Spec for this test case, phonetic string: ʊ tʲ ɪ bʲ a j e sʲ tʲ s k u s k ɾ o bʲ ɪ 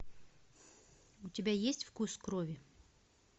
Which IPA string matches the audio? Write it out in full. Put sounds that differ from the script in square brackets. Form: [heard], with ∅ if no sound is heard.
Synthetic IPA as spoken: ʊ tʲ ɪ bʲ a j e sʲ tʲ [f] k u s k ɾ o [vʲ] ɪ